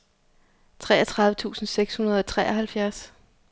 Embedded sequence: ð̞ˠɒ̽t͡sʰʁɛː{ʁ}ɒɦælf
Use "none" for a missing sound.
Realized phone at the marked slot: none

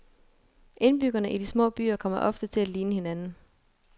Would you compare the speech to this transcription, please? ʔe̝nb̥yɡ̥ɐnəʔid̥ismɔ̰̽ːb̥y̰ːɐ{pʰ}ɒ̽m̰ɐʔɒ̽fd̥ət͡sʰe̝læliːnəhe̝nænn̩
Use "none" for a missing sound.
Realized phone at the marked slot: kʰ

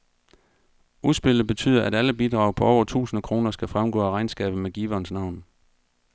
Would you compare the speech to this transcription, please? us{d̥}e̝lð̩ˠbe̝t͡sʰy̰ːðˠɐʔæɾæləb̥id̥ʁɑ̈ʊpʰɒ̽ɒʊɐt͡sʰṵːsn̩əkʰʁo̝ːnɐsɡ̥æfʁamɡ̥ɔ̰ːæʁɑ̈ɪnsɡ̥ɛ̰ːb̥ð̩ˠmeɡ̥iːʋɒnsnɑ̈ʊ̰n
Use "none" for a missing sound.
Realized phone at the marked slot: b̥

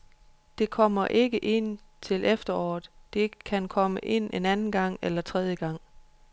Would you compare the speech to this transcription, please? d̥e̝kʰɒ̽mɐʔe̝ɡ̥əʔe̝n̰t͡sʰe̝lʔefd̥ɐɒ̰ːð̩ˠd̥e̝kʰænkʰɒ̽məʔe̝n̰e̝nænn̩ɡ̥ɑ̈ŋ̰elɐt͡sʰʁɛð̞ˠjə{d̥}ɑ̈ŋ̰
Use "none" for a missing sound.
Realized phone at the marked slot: ɡ̥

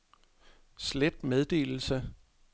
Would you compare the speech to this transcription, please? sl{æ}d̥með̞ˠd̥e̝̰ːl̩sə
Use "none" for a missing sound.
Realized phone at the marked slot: e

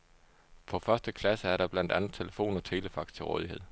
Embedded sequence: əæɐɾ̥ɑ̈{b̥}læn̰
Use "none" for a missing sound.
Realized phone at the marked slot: b̥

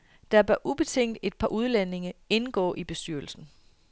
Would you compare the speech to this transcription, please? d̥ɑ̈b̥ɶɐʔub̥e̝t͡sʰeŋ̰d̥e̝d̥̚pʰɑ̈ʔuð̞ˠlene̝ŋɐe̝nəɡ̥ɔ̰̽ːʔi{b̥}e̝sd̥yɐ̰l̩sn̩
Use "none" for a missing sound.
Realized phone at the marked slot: b̥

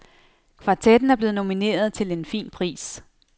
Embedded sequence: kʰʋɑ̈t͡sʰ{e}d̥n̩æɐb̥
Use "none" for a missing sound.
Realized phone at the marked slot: e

